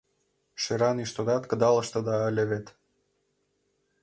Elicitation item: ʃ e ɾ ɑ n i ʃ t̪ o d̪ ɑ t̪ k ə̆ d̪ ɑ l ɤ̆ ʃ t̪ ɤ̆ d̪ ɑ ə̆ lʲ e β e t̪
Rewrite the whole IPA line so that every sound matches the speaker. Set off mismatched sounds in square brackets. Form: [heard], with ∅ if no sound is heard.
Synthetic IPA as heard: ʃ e ɾ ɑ n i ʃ t̪ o d̪ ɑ t̪ k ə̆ d̪ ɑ l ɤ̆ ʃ t̪ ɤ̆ d̪ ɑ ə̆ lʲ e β e t̪